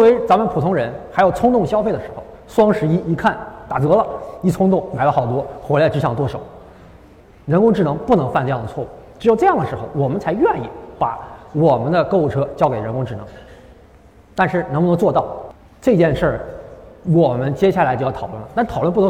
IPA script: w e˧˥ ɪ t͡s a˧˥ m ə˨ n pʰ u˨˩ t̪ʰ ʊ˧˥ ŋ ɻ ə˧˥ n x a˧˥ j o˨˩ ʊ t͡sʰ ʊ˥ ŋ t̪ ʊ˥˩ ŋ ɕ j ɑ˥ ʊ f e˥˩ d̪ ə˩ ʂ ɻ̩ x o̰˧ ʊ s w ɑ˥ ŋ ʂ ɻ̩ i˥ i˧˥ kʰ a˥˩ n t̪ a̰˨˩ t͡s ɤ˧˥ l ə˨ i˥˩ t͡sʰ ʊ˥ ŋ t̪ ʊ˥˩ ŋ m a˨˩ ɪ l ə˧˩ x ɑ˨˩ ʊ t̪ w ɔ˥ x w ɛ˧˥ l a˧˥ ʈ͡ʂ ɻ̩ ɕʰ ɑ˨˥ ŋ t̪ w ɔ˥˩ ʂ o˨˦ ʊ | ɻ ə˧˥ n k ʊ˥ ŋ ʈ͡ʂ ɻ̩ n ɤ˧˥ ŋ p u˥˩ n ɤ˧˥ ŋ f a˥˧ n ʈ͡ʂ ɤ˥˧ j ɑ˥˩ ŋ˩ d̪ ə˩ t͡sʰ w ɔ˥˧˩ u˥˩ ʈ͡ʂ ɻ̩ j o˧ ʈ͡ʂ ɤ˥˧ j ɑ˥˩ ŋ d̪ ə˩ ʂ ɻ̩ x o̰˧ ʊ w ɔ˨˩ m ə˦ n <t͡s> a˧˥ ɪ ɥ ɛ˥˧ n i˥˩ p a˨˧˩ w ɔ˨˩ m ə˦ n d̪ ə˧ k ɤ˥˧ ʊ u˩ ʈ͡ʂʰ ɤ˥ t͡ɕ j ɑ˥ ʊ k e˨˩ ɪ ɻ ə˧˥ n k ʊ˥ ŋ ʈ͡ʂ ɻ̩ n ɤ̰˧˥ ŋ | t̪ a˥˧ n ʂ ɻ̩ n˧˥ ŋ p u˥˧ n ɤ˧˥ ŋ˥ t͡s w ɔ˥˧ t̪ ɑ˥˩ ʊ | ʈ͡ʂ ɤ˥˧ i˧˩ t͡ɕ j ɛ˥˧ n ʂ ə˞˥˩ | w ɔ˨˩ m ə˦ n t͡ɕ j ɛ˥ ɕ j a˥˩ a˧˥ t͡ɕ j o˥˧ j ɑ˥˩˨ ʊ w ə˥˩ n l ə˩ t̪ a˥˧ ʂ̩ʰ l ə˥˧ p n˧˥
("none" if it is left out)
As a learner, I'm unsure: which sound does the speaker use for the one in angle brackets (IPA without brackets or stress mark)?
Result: t͡sʰ